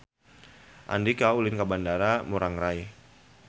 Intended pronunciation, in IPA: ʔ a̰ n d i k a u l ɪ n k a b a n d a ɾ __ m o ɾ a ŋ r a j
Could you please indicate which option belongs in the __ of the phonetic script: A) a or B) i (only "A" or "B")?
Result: A